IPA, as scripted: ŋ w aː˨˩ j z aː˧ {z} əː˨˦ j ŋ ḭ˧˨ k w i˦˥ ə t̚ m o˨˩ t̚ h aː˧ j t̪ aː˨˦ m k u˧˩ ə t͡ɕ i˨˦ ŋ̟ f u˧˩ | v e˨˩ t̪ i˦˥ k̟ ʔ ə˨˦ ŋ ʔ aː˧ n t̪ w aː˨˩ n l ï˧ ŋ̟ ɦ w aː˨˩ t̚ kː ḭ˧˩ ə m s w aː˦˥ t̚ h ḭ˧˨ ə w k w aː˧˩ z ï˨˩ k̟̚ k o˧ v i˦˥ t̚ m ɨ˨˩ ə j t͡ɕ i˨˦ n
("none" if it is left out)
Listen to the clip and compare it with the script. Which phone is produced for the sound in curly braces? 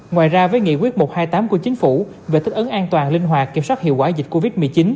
v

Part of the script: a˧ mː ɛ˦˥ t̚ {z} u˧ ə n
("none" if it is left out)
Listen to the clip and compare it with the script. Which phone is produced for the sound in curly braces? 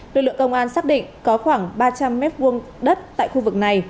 v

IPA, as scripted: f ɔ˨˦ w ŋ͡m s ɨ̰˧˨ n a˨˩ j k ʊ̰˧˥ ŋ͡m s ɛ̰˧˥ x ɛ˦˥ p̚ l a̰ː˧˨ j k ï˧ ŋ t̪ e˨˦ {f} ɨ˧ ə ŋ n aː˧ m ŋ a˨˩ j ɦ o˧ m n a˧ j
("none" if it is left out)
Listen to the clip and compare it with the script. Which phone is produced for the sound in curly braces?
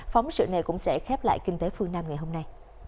f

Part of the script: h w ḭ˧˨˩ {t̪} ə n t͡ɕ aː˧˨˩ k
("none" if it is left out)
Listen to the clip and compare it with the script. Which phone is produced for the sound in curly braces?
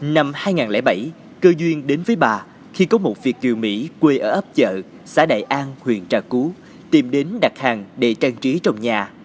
none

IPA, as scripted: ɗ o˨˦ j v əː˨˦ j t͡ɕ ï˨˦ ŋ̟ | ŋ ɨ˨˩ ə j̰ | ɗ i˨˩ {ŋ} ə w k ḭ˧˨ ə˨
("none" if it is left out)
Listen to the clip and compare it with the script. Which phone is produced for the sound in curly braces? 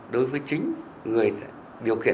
none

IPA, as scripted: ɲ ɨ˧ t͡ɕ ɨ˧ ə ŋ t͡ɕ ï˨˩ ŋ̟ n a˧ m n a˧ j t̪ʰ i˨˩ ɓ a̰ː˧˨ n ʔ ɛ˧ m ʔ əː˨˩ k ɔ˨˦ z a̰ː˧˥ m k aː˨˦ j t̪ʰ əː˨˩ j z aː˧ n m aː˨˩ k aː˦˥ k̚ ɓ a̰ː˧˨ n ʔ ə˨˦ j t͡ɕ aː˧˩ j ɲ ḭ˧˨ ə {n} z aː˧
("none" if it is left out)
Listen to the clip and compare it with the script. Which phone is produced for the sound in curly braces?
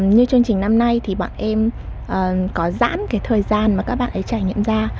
m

